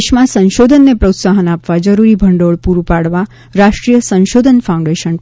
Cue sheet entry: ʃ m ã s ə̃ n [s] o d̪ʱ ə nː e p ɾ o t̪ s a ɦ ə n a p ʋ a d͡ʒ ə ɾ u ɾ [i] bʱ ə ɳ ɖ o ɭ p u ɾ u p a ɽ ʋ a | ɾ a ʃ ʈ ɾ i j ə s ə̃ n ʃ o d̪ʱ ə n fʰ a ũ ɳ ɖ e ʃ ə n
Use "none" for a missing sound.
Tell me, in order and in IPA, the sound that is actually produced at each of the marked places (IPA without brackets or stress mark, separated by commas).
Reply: ʃ, i